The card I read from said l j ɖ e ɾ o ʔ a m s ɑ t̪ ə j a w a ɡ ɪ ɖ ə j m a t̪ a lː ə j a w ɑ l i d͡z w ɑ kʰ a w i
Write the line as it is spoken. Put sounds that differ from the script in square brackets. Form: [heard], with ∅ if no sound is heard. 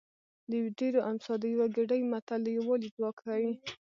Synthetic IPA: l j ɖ e ɾ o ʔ a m s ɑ [d̪] ə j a w a ɡ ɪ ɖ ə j m a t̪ a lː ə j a w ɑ l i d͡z w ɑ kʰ a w i